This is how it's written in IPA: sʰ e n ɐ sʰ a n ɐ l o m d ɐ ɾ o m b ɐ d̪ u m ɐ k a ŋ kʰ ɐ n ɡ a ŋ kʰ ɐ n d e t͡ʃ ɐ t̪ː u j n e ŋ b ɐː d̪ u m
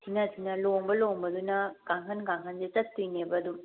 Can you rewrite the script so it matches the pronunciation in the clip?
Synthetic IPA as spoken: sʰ i n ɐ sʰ i n ɐ l o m b ɐ l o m b ɐ d̪ u n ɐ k a ŋ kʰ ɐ n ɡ a ŋ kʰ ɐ n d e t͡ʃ ɐ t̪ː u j n e b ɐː d̪ u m